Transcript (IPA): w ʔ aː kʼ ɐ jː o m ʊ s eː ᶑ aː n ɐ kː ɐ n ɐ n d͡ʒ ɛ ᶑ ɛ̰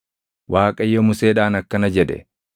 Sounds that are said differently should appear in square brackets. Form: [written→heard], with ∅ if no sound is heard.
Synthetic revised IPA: w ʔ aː kʼ ɐ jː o m ʊ s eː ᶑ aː n ɐ kː ɐ n ɐ [n→∅] d͡ʒ ɛ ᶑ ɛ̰